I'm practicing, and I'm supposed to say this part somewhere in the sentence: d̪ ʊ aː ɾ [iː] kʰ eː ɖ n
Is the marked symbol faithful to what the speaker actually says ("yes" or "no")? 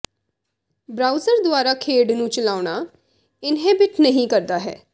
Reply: no